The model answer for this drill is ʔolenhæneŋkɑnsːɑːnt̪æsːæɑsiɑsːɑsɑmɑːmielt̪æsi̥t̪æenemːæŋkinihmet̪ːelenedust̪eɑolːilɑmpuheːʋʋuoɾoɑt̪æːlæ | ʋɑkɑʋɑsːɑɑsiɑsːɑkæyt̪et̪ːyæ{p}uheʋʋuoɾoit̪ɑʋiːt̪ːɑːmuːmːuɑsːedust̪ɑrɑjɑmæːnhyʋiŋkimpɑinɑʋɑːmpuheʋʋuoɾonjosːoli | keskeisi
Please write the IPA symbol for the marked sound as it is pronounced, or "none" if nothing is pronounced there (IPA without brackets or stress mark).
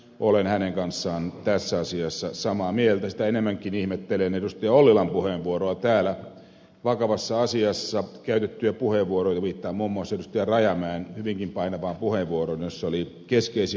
p